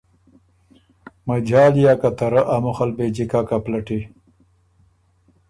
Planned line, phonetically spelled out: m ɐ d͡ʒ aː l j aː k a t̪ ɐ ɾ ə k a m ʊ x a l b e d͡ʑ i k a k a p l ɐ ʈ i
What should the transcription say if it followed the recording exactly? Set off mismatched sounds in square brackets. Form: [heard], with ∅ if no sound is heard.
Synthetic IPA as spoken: m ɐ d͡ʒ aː l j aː k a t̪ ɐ ɾ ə [ʔ] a m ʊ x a l b e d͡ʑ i k a k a p l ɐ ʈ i